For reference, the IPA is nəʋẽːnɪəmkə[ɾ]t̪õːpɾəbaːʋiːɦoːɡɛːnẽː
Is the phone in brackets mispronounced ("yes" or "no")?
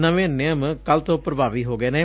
yes